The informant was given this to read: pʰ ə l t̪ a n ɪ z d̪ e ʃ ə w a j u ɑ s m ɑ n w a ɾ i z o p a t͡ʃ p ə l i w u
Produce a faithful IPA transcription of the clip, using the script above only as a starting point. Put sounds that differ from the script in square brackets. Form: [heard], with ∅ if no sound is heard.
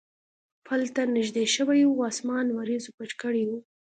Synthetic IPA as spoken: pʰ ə l t̪ a n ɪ [ʒ] d̪ e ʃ ə w a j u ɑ s m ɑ n w a ɾ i z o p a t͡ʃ [k] ə [ɽ] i w u

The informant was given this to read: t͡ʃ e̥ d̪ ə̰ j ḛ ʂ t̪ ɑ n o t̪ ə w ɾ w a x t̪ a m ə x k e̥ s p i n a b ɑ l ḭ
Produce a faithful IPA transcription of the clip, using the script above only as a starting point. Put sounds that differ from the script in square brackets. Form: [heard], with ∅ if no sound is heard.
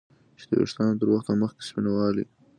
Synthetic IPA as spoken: t͡ʃ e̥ d̪ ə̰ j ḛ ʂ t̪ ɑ n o t̪ ə [∅] ɾ w a x t̪ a m ə x k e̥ s p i n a [w] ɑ l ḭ

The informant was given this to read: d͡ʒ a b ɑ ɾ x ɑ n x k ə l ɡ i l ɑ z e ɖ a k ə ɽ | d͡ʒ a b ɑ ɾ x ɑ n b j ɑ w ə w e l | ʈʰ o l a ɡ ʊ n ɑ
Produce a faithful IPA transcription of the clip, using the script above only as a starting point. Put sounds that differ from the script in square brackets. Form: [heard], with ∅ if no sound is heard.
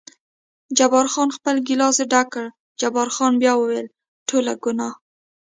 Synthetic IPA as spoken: d͡ʒ a b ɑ ɾ x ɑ n x [p] ə l ɡ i l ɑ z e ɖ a k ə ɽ | d͡ʒ a b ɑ ɾ x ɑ n b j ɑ w ə w e l | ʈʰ o l a ɡ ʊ n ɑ

